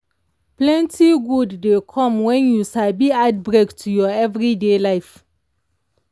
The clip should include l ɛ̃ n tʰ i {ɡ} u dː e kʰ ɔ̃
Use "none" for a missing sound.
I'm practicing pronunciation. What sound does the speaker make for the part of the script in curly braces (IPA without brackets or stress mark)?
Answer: ɡ